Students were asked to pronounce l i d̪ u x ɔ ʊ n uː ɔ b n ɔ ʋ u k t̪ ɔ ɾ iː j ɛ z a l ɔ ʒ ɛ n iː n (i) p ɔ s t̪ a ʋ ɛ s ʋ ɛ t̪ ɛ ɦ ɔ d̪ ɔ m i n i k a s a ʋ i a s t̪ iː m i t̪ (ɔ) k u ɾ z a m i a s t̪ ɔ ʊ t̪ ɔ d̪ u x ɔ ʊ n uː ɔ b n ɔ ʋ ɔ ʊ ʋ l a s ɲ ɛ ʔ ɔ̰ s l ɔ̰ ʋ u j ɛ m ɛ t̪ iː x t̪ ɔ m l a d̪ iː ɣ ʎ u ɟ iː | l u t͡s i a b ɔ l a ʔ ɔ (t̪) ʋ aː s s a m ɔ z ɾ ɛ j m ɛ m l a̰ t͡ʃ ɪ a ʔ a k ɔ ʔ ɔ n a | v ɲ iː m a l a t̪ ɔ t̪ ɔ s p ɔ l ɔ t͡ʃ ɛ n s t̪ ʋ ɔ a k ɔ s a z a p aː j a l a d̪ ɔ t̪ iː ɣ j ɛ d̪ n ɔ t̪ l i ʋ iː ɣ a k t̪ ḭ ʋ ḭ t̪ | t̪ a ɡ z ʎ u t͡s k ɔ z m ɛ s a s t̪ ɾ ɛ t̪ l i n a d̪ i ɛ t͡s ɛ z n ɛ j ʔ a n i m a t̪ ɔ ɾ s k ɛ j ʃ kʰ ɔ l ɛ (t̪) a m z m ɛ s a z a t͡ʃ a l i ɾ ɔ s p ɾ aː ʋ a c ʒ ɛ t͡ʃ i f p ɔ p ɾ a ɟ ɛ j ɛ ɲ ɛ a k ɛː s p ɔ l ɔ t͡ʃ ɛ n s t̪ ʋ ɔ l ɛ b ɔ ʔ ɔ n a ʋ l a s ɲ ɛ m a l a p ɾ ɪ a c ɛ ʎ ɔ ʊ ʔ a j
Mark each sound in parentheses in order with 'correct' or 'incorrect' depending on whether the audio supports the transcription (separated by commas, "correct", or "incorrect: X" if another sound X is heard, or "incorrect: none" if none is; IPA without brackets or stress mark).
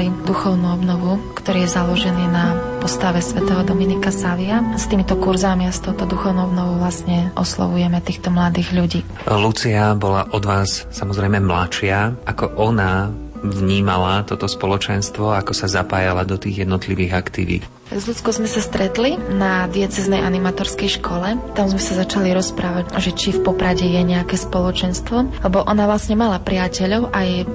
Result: incorrect: a, correct, incorrect: d̪, correct